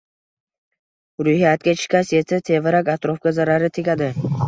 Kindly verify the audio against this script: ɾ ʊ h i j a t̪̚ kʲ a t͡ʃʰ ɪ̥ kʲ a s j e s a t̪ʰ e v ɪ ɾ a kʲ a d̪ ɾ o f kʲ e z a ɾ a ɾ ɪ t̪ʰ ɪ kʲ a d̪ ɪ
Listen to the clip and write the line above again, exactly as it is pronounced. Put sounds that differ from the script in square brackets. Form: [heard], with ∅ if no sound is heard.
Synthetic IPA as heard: ɾ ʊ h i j a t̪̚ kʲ a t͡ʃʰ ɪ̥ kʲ a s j e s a t̪ʰ e v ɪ ɾ a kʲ a [t̪] ɾ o f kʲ [a] z a ɾ a ɾ ɪ t̪ʰ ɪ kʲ a d̪ ɪ

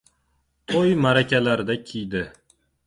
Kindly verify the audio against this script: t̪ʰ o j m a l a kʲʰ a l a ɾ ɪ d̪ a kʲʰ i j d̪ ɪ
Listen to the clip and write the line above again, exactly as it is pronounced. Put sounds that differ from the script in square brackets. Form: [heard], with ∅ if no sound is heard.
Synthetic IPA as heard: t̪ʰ o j m a [ɾ] a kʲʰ a l a ɾ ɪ d̪ a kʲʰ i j d̪ ɪ

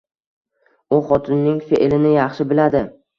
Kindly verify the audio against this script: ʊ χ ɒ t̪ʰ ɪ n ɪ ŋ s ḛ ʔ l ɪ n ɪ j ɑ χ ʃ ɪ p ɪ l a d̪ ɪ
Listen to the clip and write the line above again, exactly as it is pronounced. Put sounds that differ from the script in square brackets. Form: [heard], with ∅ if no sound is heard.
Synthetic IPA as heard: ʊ χ ɒ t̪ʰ ɪ [nː] ɪ ŋ [f] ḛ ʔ l ɪ n ɪ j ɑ χ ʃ ɪ [b] ɪ l a d̪ ɪ

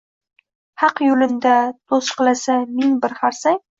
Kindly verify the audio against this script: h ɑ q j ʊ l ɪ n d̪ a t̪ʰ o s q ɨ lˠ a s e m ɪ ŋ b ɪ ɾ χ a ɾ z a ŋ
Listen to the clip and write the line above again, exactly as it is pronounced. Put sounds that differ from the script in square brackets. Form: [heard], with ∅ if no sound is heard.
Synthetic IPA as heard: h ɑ q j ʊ l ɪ n d̪ a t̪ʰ o s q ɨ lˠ a s [a] m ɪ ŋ b ɪ ɾ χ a ɾ [s] a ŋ

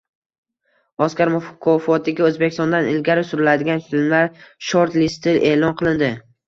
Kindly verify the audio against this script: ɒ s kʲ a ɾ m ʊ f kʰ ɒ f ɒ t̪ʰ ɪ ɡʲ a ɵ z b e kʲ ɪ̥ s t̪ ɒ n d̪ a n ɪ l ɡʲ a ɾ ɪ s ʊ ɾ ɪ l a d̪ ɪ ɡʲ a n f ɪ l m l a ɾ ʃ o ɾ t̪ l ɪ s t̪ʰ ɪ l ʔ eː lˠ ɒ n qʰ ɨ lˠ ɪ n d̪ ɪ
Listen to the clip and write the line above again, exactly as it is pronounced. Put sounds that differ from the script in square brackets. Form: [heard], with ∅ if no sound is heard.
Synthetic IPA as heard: ɒ s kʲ a ɾ m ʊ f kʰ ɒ f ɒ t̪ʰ ɪ ɡʲ a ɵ z b e kʲ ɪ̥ s t̪ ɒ n d̪ a n ɪ l ɡʲ a ɾ ɪ s ʊ ɾ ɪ l a d̪ ɪ ɡʲ a n f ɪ l m l a ɾ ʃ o ɾ t̪ l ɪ s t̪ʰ ɪ l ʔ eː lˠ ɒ n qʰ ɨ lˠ ɪ n d̪ ɪ

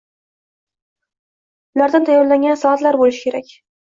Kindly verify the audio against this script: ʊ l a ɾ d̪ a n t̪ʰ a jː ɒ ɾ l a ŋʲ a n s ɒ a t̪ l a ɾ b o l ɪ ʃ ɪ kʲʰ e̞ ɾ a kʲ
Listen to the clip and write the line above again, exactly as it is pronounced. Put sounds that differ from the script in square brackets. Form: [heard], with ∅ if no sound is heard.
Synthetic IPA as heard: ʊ l a ɾ d̪ a n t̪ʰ a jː ɒ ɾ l a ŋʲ a n s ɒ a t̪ l a ɾ b o l ɪ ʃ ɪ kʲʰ e̞ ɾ a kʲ

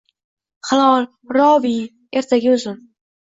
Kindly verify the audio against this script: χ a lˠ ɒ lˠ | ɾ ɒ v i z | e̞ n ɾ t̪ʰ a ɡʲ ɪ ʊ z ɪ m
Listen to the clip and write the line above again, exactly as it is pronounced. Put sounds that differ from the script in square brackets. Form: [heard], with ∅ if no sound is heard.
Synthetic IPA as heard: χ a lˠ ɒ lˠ | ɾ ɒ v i [∅] | e̞ [∅] ɾ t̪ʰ a ɡʲ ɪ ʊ z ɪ [n]

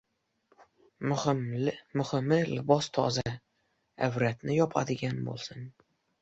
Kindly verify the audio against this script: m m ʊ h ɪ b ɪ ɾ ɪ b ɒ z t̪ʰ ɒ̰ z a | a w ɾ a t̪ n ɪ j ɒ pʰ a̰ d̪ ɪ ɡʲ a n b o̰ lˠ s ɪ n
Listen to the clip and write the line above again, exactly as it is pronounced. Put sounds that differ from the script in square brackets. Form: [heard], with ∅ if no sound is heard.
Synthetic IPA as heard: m m ʊ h ɪ [m] ɪ [l] ɪ b ɒ [s] t̪ʰ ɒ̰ z a | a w ɾ a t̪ n ɪ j ɒ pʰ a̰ d̪ ɪ ɡʲ a n b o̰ lˠ s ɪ n

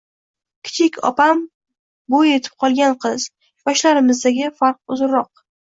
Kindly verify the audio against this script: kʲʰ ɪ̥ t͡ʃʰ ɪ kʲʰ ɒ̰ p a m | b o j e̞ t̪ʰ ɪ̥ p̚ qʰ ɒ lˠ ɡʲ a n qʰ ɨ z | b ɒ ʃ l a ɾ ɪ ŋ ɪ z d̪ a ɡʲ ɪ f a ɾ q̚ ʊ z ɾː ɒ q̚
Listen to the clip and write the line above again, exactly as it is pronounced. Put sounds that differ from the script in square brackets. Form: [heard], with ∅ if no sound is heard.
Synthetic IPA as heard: kʲʰ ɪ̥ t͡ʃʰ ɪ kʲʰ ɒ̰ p a m | b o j e̞ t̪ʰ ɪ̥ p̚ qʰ ɒ lˠ ɡʲ a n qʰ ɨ z | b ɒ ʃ l a ɾ ɪ [m] ɪ z d̪ a ɡʲ ɪ f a ɾ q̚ ʊ z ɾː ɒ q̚

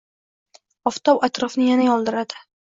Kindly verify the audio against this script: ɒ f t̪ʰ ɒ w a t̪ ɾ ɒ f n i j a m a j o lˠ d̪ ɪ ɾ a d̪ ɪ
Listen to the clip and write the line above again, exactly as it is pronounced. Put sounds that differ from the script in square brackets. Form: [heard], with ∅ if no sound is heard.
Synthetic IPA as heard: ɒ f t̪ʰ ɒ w a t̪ ɾ ɒ f n [ɪ] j a [n] a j [ɒ] lˠ d̪ ɪ ɾ a d̪ ɪ

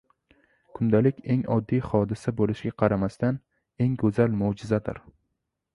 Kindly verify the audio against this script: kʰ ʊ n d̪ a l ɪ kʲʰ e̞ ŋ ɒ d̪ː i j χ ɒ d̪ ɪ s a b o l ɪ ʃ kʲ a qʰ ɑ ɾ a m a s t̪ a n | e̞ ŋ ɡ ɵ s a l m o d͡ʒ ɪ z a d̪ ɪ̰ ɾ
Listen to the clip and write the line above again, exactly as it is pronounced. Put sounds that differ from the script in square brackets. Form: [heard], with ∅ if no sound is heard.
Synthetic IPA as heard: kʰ ʊ n d̪ a l ɪ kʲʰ e̞ ŋ ɒ d̪ː i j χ ɒ d̪ ɪ s a b o l ɪ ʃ [ɡʲ] a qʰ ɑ ɾ a m a s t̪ a n | e̞ ŋ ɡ ɵ [z] a l m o d͡ʒ ɪ z a d̪ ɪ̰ ɾ

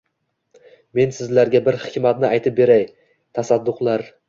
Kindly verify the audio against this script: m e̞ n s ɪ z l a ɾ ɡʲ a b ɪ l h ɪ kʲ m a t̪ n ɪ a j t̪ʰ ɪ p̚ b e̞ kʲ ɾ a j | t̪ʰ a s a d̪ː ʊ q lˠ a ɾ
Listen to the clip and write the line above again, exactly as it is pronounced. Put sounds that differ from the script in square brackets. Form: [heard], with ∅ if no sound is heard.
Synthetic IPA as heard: m e̞ n s ɪ z l a ɾ ɡʲ a b ɪ [ɾ] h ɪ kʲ m a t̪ n ɪ a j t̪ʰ ɪ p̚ b e̞ [∅] ɾ a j | t̪ʰ a s a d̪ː ʊ q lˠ a ɾ

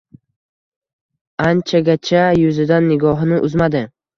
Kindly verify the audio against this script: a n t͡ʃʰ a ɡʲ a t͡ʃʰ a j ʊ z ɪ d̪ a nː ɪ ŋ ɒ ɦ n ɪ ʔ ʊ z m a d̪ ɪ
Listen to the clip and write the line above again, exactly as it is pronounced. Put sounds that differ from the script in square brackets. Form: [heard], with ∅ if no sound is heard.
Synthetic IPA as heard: a n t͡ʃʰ a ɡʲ a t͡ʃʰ a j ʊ z ɪ d̪ a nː ɪ [ɡ] ɒ ɦ n ɪ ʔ ʊ z m a d̪ ɪ

